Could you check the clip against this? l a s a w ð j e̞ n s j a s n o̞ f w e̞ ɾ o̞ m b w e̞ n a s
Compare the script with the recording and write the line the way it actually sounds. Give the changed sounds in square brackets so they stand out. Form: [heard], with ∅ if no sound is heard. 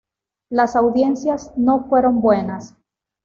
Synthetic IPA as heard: l a s a w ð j e̞ n s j a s n o̞ f w e̞ ɾ o̞ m b w e̞ n a s

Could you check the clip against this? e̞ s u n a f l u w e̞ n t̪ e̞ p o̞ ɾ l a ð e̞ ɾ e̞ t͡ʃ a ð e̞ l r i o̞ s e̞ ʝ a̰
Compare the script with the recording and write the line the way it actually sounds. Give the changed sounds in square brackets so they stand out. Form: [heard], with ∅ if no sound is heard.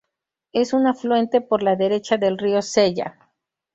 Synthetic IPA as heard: e̞ s u n a f l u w e̞ n t̪ e̞ p o̞ ɾ l a ð e̞ ɾ e̞ t͡ʃ a ð e̞ l r i o̞ s e̞ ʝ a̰

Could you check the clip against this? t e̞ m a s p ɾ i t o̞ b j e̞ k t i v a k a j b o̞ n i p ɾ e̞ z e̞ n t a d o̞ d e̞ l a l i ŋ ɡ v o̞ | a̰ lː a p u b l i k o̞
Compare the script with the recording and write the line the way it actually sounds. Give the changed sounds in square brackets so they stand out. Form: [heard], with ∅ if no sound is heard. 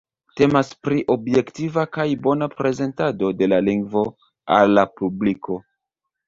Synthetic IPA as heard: t e̞ m a s p ɾ i [ʔ] o̞ b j e̞ k t i v a k a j b o̞ n [a] p ɾ e̞ z e̞ n t a d o̞ d e̞ l a l i ŋ ɡ v o̞ | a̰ lː a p u b l i k o̞

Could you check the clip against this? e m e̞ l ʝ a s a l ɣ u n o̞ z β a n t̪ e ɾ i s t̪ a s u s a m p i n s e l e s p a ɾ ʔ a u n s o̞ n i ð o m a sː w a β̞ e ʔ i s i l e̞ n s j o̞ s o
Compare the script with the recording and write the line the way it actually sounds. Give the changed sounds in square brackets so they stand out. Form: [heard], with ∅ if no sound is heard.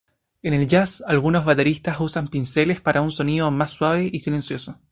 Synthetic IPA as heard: e [n] e̞ l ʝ a s a l ɣ u n o̞ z β a [∅] t̪ e ɾ i s t̪ a s u s a m p i n s e l e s p a ɾ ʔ a u n s o̞ n i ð o m a sː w a β̞ e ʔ i s i l e̞ n s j o̞ s o

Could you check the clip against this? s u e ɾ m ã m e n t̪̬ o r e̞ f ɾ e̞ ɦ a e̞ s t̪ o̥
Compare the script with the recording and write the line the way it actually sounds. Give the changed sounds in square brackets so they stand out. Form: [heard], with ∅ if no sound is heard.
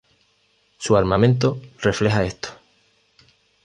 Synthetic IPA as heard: s u [a] ɾ m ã m [ẽ] n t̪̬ o r e̞ f [l] e̞ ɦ a e̞ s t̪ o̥

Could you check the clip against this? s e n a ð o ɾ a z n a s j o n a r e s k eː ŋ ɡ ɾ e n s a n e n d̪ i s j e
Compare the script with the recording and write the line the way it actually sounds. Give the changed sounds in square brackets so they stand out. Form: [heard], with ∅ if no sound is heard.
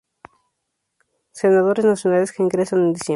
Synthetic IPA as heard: s e n a ð o ɾ [e] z n a s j o n a [l] e s k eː ŋ ɡ ɾ e [∅] s a n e n d̪ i s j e

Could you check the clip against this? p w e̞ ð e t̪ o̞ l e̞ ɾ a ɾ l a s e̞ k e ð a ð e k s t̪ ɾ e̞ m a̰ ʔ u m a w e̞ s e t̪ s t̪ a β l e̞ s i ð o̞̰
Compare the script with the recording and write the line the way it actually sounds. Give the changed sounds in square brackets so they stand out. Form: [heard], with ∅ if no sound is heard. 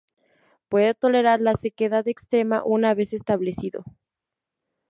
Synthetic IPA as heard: p w e̞ ð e t̪ o̞ l e̞ ɾ a ɾ l a s e̞ k e ð a ð e k s t̪ ɾ e̞ m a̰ ʔ u [n] a [β] e̞ s e [∅] s t̪ a β l e̞ s i ð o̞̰

